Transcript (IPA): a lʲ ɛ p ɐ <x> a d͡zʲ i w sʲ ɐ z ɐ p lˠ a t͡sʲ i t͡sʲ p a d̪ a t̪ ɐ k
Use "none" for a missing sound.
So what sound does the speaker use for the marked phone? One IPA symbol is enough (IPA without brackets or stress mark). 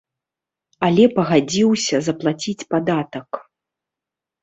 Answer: ɣ